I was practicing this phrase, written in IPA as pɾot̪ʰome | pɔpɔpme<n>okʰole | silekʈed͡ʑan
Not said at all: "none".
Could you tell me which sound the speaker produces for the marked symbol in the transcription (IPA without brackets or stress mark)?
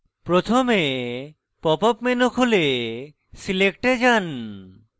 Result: n